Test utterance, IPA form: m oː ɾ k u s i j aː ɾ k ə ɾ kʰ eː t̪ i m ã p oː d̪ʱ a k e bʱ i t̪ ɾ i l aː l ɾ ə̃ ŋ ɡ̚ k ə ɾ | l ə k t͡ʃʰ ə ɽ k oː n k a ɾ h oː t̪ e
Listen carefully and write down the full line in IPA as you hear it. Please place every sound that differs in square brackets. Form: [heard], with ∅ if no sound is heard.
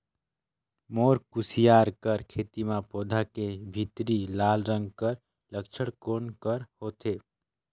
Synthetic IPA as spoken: m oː ɾ k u s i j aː ɾ k ə ɾ kʰ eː t̪ i m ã p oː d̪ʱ a k e bʱ i t̪ ɾ i l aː l ɾ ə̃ ŋ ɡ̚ k ə ɾ | l ə k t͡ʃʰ ə ɽ k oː n k [ə] ɾ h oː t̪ e